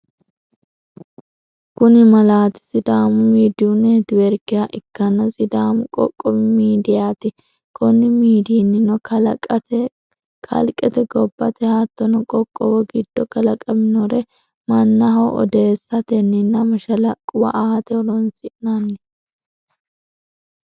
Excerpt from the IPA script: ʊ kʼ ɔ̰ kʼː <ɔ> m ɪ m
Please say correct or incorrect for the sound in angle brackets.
correct